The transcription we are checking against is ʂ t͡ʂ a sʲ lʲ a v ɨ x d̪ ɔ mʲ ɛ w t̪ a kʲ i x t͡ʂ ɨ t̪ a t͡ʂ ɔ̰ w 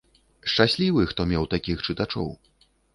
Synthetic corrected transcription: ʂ t͡ʂ a sʲ lʲ i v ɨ x t̪ ɔ mʲ ɛ w t̪ a kʲ i x t͡ʂ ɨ t̪ a t͡ʂ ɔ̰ w